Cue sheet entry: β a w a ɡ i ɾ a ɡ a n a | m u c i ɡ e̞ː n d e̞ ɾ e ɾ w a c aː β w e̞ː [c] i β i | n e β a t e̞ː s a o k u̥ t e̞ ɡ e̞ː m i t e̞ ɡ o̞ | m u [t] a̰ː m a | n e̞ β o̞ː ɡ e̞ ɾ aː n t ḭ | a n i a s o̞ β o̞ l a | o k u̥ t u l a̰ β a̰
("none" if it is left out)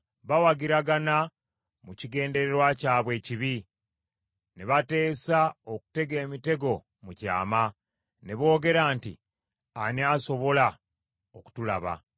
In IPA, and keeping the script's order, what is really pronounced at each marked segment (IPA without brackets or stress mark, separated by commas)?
c, c